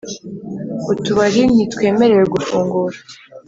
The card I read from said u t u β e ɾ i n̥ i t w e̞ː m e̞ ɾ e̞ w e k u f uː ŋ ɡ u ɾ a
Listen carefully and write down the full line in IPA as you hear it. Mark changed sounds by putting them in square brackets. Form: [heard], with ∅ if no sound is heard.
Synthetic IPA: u t u β [a] ɾ i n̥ i t w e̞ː m e̞ ɾ e̞ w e [ɡ] u f uː ŋ ɡ u ɾ a